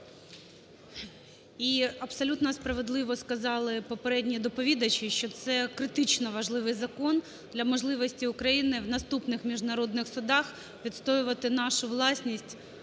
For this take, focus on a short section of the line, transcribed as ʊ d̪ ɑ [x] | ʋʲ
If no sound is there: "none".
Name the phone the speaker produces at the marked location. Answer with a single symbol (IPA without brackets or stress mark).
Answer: x